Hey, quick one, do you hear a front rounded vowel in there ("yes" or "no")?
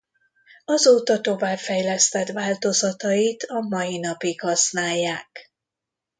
no